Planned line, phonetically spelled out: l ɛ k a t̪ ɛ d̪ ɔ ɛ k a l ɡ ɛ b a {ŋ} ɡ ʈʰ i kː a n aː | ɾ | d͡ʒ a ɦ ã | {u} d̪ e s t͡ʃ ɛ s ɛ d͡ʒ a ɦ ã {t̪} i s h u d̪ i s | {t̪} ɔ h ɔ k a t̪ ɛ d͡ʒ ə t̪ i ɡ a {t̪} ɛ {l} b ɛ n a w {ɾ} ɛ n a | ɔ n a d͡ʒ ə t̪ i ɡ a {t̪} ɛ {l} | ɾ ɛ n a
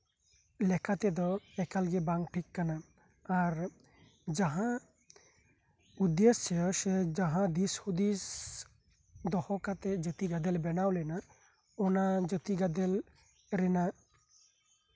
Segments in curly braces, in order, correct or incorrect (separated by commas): correct, correct, incorrect, incorrect, incorrect, correct, incorrect, incorrect, correct